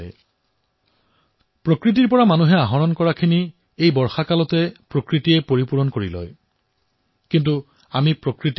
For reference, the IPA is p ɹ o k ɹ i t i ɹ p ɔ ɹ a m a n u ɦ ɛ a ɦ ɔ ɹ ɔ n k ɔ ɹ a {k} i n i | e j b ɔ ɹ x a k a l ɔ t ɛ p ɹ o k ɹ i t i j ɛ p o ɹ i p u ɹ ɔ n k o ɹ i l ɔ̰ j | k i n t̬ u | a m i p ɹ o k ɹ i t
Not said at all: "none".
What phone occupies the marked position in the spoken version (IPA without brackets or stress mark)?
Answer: kʰ